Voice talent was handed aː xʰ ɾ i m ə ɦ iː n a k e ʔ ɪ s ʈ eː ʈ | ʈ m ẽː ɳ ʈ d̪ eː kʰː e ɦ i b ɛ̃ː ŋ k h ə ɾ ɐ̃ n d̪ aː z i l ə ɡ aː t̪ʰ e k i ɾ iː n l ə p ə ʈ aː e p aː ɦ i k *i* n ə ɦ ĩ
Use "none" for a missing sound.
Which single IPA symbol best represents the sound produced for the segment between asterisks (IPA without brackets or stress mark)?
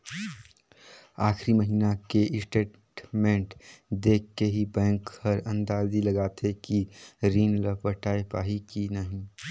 i